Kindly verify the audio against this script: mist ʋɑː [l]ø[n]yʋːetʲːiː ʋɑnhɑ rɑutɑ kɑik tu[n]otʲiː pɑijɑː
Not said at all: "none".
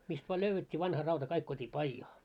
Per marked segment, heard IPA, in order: l, none, none

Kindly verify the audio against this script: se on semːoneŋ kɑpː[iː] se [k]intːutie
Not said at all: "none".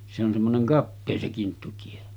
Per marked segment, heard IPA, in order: eː, k

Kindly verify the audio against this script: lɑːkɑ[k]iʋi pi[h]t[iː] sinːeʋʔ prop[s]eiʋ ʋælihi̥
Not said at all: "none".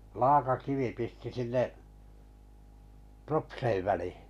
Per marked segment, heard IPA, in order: k, s, i, s

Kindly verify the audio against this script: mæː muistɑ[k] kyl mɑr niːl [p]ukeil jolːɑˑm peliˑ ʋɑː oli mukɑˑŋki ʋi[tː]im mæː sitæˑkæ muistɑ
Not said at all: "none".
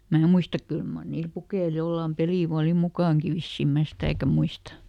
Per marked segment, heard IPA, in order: k, p, sː

